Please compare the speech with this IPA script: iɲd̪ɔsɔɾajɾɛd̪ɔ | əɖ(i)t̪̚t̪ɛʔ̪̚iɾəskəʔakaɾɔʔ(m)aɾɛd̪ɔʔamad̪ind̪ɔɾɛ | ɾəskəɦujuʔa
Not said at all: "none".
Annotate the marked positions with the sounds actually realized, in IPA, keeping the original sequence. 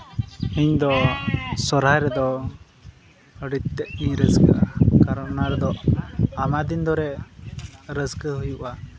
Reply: i, n

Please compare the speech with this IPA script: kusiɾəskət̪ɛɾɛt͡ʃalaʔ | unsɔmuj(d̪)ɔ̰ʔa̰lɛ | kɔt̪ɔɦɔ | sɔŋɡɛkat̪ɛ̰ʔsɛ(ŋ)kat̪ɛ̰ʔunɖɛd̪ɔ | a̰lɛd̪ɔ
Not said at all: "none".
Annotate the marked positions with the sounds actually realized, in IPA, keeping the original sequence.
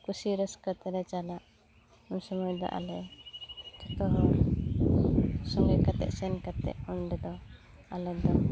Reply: d̪, n

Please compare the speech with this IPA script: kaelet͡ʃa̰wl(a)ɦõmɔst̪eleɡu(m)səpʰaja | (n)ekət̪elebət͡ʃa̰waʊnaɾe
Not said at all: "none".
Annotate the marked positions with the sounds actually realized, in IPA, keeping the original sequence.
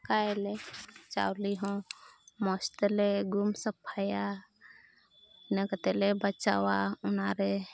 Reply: i, m, n

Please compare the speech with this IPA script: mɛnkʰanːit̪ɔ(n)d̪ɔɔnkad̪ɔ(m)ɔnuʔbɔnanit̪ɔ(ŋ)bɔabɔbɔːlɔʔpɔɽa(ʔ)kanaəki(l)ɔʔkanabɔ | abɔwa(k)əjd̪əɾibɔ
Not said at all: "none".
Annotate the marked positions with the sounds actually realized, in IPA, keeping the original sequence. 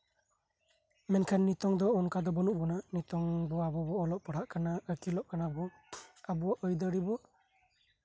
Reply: ŋ, b, ŋ, ʔ, l, ʔ

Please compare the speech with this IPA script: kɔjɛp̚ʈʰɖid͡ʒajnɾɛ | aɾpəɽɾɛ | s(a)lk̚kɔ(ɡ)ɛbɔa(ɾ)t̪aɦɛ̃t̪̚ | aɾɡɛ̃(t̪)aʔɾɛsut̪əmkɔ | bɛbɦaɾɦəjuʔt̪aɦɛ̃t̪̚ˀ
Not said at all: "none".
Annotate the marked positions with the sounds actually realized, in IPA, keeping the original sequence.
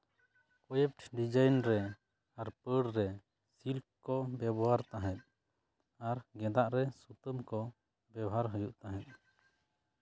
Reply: i, b, ɾ, d̪

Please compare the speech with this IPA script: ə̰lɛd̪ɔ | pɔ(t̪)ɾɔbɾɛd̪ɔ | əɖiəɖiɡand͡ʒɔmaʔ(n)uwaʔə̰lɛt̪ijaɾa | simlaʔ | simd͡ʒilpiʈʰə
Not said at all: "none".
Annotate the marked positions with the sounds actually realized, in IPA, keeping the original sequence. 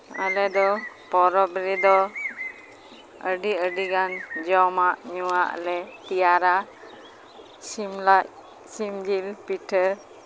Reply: none, ɲ

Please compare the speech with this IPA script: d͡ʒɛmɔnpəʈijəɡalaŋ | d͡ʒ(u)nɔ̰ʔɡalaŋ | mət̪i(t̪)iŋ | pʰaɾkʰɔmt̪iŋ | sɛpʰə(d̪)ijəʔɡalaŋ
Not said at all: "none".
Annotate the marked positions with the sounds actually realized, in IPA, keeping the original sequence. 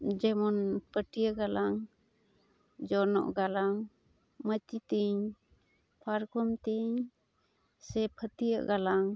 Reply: ɔ, t̪, t̪

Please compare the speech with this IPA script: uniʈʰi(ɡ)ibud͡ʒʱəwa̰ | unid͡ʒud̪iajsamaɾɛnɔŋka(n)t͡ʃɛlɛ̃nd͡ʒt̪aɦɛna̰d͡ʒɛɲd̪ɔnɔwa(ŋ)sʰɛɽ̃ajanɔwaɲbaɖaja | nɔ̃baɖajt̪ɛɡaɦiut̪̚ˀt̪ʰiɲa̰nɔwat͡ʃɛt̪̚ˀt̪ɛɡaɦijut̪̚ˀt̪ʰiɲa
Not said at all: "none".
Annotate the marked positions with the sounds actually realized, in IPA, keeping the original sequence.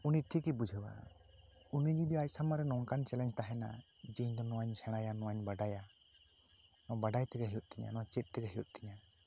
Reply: k, n, ɲ

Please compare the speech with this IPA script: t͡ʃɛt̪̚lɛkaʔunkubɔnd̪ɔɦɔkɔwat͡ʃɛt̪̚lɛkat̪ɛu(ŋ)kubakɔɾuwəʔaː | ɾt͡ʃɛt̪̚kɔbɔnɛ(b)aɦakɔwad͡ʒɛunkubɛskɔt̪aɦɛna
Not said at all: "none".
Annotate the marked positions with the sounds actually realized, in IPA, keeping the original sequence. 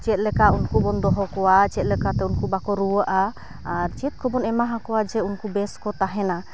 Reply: n, m

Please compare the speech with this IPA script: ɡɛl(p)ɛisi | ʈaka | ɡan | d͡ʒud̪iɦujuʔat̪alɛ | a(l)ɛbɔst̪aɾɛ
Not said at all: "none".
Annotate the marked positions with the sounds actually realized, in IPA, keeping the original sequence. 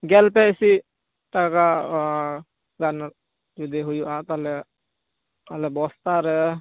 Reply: p, l

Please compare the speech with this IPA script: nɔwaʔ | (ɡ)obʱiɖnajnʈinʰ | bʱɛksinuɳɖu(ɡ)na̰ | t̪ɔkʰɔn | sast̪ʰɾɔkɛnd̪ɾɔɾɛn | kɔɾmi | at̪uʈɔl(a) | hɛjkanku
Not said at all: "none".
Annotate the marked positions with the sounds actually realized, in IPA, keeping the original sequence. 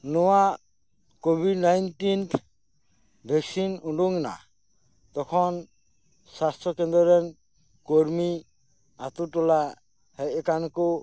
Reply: k, ŋ, a

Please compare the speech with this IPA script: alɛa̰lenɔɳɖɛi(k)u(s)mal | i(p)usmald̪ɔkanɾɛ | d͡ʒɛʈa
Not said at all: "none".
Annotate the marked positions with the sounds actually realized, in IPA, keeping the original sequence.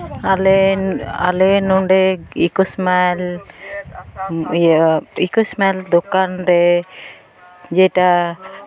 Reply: k, s, k

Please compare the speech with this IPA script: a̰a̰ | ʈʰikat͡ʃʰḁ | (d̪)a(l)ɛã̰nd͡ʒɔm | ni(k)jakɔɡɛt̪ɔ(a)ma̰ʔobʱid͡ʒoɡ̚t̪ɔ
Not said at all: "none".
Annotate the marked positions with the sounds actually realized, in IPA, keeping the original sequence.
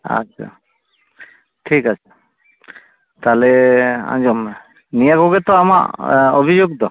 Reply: t̪, l, none, a

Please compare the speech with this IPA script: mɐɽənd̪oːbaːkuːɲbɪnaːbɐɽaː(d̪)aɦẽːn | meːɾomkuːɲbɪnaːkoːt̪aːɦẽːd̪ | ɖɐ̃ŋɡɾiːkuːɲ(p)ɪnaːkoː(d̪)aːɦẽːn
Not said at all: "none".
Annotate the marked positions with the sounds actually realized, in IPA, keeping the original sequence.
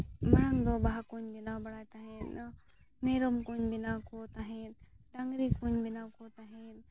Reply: t̪, b, t̪

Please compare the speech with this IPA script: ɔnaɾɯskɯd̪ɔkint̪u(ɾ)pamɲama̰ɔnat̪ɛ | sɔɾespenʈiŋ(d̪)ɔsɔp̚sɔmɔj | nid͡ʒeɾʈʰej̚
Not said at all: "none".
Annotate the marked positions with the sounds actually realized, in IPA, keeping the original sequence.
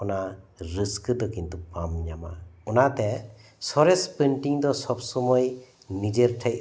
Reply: none, d̪

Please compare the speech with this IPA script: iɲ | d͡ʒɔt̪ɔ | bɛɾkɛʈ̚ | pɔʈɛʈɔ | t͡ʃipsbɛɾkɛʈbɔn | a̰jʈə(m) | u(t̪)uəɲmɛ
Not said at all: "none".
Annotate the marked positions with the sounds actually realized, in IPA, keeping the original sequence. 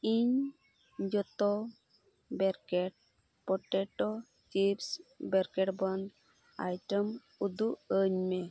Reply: m, d̪

